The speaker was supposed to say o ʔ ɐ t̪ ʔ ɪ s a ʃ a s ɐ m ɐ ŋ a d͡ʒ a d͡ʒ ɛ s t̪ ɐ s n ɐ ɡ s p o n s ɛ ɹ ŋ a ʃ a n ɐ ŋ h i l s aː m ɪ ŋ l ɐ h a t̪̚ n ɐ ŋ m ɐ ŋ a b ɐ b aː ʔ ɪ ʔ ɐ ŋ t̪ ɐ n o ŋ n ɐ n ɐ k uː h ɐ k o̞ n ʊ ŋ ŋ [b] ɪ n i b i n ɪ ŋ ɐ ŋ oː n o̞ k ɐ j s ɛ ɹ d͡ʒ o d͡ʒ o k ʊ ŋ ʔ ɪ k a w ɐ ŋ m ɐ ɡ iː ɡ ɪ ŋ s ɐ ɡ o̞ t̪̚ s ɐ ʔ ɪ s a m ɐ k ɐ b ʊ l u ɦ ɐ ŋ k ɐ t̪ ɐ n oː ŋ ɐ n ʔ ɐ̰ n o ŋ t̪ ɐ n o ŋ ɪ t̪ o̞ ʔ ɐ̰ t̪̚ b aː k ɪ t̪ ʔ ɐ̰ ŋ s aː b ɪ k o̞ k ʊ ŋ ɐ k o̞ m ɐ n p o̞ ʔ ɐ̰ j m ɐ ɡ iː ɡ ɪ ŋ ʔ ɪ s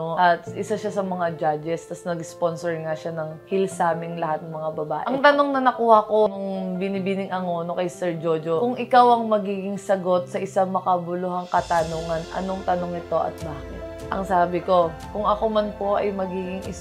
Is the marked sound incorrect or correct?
correct